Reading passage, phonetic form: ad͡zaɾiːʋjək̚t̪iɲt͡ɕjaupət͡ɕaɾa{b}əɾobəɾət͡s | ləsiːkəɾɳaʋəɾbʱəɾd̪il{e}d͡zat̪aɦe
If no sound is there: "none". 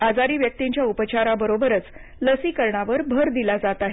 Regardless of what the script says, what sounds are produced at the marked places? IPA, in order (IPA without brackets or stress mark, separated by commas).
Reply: b, a